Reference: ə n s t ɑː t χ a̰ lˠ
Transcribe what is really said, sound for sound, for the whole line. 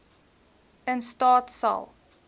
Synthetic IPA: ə n s t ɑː t s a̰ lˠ